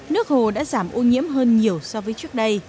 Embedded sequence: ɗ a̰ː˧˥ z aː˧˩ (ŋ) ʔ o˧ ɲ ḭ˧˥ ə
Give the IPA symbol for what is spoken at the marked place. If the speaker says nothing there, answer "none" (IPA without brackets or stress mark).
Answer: m